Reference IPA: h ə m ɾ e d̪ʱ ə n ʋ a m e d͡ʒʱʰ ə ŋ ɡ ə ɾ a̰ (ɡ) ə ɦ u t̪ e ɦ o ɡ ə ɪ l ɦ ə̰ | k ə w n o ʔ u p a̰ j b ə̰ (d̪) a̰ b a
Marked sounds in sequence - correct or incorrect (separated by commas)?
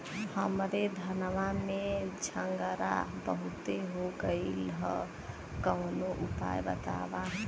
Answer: incorrect, incorrect